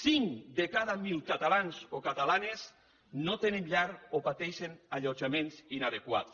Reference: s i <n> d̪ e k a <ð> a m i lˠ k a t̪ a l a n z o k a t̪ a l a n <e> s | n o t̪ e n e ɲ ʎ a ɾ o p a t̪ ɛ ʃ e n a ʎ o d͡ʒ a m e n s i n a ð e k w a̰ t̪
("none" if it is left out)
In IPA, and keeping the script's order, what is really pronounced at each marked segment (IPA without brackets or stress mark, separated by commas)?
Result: ŋ, ð, e